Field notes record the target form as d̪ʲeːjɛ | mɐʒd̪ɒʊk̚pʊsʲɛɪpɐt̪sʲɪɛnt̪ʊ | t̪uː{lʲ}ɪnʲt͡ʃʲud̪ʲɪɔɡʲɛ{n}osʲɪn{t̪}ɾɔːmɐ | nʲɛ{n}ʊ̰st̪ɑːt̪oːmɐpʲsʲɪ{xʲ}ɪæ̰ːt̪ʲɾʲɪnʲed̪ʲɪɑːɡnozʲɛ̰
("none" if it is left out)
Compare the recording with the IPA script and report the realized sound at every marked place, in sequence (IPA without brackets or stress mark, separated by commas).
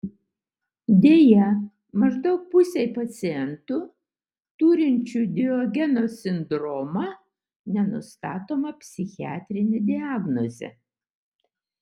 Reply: ɾʲ, n, d̪, n, xʲ